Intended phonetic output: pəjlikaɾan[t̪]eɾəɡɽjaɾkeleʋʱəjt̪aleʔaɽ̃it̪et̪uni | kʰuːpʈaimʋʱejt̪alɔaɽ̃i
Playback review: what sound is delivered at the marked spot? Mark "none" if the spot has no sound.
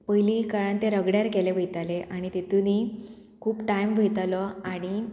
t̪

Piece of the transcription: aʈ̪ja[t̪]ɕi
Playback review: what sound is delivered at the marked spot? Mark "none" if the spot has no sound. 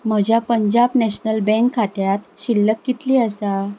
t̪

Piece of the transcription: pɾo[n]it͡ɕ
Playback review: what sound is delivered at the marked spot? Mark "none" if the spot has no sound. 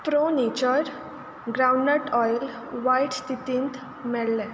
n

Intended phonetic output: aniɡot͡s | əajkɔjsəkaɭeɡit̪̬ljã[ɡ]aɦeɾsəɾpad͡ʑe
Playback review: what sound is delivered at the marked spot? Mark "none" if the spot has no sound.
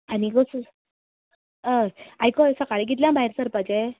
b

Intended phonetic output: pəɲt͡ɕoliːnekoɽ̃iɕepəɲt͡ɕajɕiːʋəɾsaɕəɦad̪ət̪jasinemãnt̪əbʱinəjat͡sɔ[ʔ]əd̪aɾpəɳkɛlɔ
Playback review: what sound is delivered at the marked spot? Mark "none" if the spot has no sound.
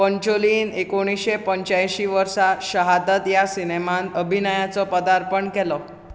p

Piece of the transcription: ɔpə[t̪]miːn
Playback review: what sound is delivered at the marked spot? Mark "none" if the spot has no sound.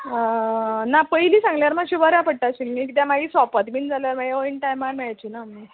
t̪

